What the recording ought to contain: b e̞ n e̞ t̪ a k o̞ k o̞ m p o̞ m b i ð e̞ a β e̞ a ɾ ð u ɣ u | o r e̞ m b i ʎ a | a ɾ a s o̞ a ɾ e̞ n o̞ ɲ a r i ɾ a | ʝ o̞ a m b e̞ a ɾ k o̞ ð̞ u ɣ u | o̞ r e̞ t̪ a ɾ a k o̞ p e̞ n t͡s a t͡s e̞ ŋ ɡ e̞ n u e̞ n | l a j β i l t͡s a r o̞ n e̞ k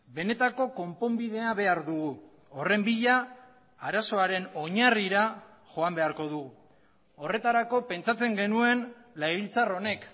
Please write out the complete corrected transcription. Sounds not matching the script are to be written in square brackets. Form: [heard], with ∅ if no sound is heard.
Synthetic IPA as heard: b e̞ n e̞ t̪ a k o̞ k o̞ m p o̞ m b i ð e̞ a β e̞ a ɾ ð u ɣ u | o r e̞ m b i ʎ a | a ɾ a s o̞ a ɾ e̞ n o̞ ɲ a r i ɾ a | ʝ o̞ a m b e̞ a ɾ k o̞ ð̞ u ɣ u | o̞ r e̞ t̪ a ɾ a k o̞ p e̞ n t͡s a t͡s e̞ ŋ ɡ e̞ n u e̞ n | l a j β i l t͡s a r o̞ n e̞ k

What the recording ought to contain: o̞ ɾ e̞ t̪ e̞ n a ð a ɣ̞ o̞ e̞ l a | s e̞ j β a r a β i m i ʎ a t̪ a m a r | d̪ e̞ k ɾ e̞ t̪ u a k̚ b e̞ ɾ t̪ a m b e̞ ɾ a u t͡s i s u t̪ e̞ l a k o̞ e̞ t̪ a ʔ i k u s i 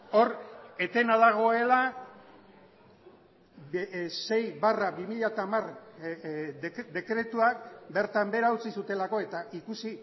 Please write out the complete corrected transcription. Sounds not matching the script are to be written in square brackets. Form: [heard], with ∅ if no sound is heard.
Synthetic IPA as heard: o̞ ɾ e̞ t̪ e̞ n a ð a ɣ̞ o̞ e̞ l a | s e̞ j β a r a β i m i ʎ a t̪ a m a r | d̪ e̞ k ɾ e̞ t̪ u a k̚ b e̞ ɾ t̪ a m b e̞ ɾ a u t͡s i s u t̪ e̞ l a k o̞ e̞ t̪ a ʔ i k u s i

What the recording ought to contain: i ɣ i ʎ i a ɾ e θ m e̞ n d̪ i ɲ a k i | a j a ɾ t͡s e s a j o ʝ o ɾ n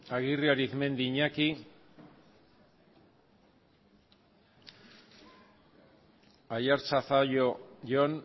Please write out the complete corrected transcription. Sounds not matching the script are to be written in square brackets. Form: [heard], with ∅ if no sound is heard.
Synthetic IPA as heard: [a] ɣ i [r] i a ɾ [i] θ m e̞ n d̪ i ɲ a k i | a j a ɾ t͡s [a] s a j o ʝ o [∅] n

